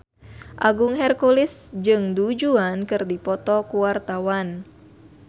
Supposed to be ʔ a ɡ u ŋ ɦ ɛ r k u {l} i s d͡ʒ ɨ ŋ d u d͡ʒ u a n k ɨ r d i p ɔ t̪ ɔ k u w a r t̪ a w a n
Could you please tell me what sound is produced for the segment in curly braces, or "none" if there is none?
l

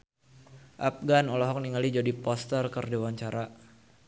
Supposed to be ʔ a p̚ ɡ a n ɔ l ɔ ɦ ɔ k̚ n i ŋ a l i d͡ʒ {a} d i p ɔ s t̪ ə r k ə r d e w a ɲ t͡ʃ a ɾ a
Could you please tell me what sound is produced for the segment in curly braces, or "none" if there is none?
a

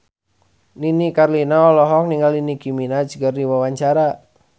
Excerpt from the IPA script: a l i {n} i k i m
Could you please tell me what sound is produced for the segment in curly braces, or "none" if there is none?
n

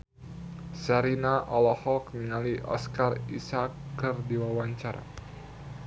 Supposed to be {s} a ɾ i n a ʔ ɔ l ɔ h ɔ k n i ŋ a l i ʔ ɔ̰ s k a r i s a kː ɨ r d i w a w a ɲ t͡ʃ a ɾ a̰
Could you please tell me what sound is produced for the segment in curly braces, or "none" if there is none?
s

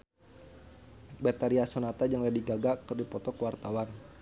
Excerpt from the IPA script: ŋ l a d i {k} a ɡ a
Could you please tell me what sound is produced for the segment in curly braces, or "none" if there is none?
ɡ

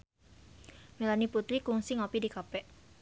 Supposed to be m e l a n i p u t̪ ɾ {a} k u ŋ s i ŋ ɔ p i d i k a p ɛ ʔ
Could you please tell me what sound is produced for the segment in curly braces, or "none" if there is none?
i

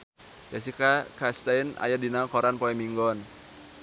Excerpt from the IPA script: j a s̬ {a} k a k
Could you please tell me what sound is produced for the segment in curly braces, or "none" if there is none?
i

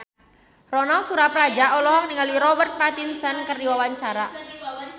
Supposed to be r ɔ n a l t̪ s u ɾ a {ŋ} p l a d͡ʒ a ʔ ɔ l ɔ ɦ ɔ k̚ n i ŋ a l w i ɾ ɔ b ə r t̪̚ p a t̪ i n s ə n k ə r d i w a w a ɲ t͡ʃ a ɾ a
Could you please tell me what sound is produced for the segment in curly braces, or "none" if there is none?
none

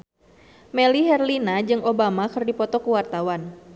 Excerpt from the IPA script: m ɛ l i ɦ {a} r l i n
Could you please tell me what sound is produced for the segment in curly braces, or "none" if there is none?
ɛ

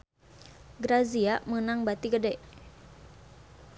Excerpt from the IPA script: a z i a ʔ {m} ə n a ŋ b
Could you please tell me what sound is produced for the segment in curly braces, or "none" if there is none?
m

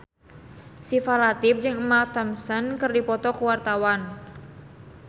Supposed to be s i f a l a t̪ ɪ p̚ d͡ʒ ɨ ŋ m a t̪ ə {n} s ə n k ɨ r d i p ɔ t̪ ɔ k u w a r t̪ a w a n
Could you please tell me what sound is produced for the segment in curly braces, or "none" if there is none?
m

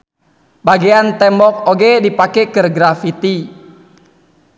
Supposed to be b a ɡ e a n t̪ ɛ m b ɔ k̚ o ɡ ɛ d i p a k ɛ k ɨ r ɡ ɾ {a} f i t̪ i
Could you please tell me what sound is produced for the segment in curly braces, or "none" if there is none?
a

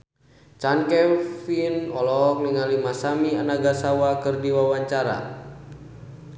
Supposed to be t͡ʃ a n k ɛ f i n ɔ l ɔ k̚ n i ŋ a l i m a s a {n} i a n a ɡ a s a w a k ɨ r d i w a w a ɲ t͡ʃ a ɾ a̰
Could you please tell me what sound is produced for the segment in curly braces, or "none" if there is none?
m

